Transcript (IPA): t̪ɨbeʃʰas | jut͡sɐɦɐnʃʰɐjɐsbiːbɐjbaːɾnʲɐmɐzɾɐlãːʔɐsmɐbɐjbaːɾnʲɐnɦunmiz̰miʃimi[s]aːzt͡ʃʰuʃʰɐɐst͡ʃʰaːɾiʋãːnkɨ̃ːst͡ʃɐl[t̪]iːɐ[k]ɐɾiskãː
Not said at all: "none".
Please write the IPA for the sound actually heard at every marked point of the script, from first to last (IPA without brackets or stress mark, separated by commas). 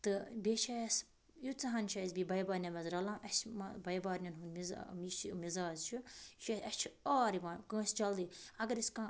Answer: z, d̪, ɡ